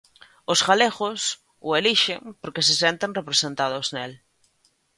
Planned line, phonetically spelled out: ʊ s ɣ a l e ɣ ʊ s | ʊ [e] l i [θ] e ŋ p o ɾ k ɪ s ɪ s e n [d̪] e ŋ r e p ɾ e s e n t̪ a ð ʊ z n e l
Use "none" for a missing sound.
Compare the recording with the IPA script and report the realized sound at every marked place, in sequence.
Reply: e, ʃ, t̪

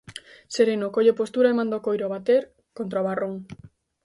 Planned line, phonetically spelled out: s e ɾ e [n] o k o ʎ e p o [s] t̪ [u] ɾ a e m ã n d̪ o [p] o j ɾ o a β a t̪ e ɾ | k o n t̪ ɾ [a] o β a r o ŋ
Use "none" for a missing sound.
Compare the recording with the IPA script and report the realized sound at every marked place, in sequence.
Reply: n, s, u, k, a

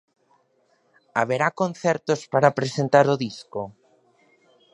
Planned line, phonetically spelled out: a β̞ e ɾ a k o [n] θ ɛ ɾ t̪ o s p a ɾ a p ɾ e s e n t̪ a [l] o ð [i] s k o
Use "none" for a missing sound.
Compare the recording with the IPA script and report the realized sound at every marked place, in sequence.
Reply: n, ɾ, i

